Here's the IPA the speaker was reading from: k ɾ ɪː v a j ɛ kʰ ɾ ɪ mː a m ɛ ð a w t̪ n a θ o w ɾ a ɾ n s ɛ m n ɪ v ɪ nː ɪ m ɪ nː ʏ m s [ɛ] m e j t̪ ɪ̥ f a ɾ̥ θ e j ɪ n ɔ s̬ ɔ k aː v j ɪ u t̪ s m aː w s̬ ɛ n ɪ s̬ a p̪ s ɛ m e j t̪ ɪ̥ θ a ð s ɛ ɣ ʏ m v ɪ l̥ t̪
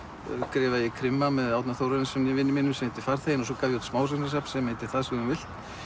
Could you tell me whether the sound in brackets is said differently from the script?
no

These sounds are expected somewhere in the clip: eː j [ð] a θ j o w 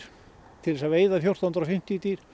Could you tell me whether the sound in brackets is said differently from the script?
no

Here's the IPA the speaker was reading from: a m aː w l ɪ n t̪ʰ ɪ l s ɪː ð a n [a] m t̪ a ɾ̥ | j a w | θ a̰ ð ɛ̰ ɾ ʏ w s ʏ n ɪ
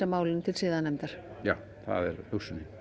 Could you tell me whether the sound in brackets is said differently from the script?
yes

